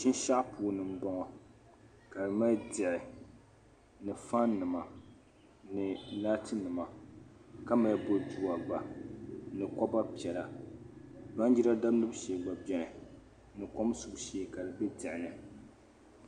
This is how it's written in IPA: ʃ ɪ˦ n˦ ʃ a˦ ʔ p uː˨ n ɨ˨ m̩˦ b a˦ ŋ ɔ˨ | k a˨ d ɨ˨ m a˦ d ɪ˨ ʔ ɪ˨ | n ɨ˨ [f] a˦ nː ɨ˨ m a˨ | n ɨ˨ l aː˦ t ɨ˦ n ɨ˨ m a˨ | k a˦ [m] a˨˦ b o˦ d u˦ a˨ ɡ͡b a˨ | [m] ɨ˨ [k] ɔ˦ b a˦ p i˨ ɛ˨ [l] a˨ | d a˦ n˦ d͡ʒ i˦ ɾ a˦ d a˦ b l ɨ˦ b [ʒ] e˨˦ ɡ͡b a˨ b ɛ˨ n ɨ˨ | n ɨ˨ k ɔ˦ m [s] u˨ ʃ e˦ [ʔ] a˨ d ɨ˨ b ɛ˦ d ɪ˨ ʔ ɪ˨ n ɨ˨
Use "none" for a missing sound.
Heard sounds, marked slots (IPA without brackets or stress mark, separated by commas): f, m, n, k, l, ʃ, s, k